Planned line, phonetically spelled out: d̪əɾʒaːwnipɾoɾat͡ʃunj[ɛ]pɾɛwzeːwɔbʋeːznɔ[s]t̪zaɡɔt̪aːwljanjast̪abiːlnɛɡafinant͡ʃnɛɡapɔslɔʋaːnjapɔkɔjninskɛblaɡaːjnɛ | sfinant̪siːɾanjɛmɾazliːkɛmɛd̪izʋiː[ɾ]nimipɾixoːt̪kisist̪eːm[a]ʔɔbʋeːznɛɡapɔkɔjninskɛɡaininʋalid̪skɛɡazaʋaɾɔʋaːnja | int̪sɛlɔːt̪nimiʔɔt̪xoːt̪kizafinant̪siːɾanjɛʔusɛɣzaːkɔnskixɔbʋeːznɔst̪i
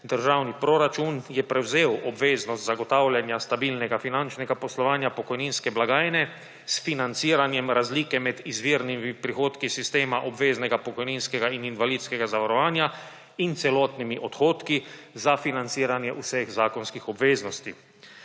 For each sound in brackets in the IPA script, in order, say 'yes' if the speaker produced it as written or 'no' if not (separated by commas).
yes, yes, yes, yes